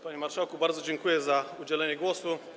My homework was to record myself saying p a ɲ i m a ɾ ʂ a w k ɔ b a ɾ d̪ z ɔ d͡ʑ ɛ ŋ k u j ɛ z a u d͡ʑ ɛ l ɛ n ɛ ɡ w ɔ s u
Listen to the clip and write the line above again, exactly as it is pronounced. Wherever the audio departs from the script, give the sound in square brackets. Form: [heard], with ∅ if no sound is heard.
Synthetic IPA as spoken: p a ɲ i m a ɾ ʂ a w k [u] b a ɾ d̪ z ɔ d͡ʑ ɛ ŋ k u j ɛ z a u d͡ʑ ɛ l ɛ [ɲ] ɛ ɡ w ɔ s u